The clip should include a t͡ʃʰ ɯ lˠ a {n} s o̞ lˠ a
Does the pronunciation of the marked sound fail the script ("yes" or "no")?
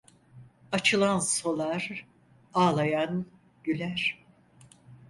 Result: no